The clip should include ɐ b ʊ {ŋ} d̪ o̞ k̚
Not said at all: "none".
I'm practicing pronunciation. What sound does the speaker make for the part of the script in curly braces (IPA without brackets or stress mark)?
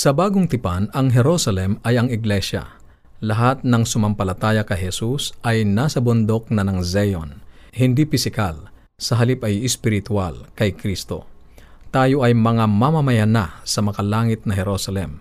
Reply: n